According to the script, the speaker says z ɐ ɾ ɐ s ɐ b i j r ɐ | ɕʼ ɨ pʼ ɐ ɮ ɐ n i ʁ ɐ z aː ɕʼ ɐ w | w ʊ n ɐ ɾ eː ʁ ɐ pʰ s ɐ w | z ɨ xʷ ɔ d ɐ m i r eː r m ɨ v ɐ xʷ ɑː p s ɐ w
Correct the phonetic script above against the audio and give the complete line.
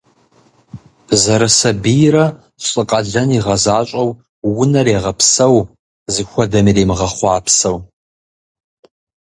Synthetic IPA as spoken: z ɐ ɾ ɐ s ɐ b i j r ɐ | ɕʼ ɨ qʼ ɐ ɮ ɐ n i ʁ ɐ z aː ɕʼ ɐ w | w ʊ n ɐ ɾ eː ʁ ɐ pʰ s ɐ w | z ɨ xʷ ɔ d ɐ m i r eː m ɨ ʁ ɐ χʷ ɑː p s ɐ w